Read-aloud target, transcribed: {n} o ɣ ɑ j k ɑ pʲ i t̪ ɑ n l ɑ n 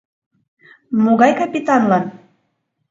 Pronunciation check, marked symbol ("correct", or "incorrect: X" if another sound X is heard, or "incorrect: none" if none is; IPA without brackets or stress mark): incorrect: m